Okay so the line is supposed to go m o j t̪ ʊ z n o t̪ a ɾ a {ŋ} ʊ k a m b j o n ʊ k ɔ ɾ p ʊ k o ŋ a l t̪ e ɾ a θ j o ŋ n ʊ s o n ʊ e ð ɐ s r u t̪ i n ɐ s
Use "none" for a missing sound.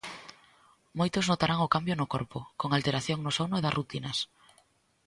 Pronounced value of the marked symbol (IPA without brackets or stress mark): ŋ